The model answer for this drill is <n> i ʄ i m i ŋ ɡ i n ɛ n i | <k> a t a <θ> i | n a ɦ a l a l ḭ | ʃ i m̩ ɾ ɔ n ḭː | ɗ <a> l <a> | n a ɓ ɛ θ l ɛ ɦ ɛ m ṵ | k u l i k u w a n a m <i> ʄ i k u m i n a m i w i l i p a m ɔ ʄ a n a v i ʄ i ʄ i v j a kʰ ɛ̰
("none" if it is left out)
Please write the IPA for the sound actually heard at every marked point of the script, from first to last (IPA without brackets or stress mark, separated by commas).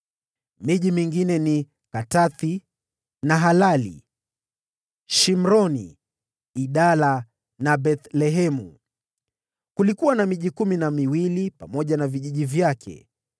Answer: m, k, θ, a, a, i